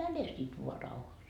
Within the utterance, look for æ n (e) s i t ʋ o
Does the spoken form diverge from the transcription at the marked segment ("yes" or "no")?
no